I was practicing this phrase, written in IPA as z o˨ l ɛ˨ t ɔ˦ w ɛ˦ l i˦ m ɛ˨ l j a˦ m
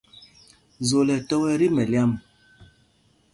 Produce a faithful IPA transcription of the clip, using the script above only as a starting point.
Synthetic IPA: z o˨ l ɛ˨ t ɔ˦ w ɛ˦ ɾ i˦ m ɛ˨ l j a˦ m